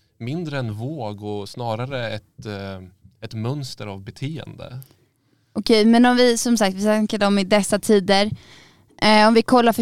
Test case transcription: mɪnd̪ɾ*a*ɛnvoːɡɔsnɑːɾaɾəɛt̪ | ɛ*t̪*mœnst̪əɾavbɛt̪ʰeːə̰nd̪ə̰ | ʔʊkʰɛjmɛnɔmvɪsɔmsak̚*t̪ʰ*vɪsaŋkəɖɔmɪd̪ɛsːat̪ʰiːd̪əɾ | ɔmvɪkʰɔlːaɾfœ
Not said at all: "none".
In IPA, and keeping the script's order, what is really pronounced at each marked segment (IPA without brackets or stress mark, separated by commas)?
ə, t̪, t̪